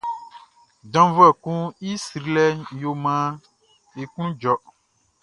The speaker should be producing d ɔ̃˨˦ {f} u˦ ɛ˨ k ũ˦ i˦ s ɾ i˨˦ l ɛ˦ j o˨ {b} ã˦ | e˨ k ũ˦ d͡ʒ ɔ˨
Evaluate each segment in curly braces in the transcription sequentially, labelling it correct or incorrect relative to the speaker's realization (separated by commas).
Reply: incorrect, incorrect